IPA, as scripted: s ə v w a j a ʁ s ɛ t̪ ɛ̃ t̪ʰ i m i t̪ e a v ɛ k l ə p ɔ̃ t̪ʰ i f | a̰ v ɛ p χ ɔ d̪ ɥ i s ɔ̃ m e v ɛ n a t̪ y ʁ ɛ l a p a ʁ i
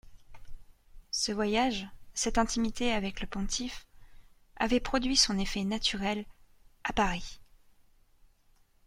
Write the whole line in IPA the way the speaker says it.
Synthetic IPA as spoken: s ə v w a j a ʒ s ɛ t̪ ɛ̃ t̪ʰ i m i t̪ e a v ɛ k l ə p ɔ̃ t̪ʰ i f | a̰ v ɛ p χ ɔ d̪ ɥ i s ɔ̃ n e f ɛ n a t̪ y ʁ ɛ l a p a ʁ i

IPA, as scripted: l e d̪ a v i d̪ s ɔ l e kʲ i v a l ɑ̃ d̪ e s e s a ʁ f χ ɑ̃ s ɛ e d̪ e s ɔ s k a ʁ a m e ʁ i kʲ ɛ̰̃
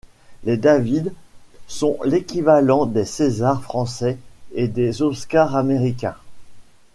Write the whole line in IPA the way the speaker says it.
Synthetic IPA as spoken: l e d̪ a v i d̪ s ɔ̃ l e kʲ i v a l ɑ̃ d̪ e s e z a ʁ f χ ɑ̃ s ɛ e d̪ e z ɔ s k a ʁ a m e ʁ i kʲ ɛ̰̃

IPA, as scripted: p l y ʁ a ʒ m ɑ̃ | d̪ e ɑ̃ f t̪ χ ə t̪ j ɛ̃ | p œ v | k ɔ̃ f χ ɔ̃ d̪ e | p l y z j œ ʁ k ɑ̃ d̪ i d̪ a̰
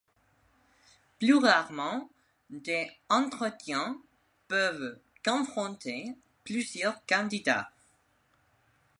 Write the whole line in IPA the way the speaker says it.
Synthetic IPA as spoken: p l y ʁ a ʁ m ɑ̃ | d̪ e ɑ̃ t̪ χ ə t̪ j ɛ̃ | p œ v | k ɔ̃ f χ ɔ̃ t̪ e | p l y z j œ ʁ k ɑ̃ d̪ i d̪ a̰

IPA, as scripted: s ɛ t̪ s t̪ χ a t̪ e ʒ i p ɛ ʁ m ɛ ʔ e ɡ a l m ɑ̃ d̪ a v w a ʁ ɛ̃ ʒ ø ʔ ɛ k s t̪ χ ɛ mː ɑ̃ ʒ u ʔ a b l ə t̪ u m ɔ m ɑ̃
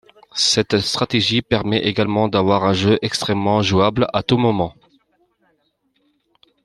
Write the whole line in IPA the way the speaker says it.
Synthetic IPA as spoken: s ɛ t̪ s t̪ χ a t̪ e ʒ i p ɛ ʁ m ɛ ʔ e ɡ a l m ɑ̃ d̪ a v w a ʁ ɛ̃ ʒ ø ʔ ɛ k s t̪ χ ɛ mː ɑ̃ ʒ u a b l a t̪ u m ɔ m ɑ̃

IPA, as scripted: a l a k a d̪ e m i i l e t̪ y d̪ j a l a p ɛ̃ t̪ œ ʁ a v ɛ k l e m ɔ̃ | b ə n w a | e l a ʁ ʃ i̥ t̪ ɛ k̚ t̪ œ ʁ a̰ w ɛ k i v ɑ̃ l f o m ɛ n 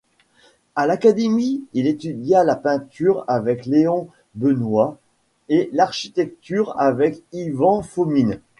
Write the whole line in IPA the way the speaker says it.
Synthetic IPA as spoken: a l a k a d̪ e m i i l e t̪ y d̪ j a l a p ɛ̃ t̪ y ʁ a v ɛ k l e ɔ̃ | b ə n w a | e l a ʁ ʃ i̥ t̪ ɛ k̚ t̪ y ʁ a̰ v ɛ k i v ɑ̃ f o m i n

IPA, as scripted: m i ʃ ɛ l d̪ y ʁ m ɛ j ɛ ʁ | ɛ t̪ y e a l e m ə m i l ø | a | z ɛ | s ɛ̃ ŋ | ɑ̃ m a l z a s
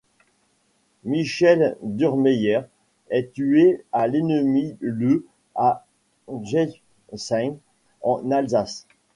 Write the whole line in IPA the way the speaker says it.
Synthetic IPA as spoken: m i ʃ ɛ l d̪ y ʁ m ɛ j ɛ ʁ | ɛ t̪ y e a l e n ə m i l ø | a | ʒ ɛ | s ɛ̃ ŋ | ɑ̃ n a l z a s

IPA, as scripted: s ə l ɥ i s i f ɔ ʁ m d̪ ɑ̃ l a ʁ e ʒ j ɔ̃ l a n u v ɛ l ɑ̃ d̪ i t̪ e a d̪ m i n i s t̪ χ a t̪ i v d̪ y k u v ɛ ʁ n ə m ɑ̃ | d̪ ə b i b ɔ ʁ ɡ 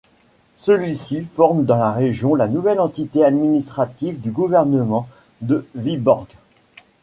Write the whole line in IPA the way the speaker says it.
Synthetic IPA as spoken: s ə l ɥ i s i f ɔ ʁ m d̪ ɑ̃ l a ʁ e ʒ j ɔ̃ l a n u v ɛ l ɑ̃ t̪ i t̪ e a d̪ m i n i s t̪ χ a t̪ i v d̪ y ɡ u v ɛ ʁ n ə m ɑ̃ | d̪ ə v i b ɔ ʁ ɡ

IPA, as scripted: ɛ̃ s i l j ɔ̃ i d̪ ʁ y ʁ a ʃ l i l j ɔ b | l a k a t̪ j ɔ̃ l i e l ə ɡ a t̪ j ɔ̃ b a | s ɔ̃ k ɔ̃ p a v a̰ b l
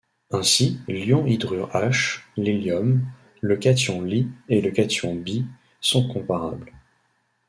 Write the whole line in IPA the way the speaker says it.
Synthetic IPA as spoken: ɛ̃ s i l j ɔ̃ i d̪ ʁ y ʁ a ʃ l i l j ɔ m | l ə k a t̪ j ɔ̃ l i e l ə k a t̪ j ɔ̃ b i | s ɔ̃ k ɔ̃ p a ʁ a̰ b l

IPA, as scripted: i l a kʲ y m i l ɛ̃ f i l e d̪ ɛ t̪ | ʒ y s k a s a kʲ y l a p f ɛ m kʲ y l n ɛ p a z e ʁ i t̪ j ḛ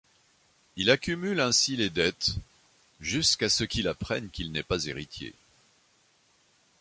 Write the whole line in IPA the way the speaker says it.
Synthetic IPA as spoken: i l a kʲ y m y l ɛ̃ s i l e d̪ ɛ t̪ | ʒ y s k a s ə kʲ i l a p χ ɛ n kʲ i l n ɛ p a z e ʁ i t̪ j ḛ

